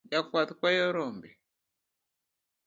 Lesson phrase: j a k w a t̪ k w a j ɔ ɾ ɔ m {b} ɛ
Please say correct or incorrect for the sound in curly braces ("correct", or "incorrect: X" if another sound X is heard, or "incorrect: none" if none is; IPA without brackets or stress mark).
correct